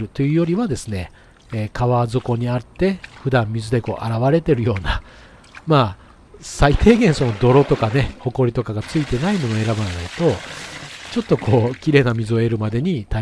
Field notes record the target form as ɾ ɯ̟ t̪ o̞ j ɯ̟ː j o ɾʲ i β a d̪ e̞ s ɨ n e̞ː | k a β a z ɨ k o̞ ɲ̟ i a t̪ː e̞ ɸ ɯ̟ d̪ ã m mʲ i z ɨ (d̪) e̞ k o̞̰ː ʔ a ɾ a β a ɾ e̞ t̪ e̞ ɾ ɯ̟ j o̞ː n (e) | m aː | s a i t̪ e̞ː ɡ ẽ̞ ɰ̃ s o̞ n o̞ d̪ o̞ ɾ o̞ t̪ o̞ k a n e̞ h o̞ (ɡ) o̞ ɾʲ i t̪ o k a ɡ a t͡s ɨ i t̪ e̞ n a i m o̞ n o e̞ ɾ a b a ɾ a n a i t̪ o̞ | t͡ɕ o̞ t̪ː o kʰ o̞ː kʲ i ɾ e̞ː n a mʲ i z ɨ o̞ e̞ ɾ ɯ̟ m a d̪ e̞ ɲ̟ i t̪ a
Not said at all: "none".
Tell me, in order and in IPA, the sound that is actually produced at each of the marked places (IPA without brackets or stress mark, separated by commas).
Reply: d̪, a, k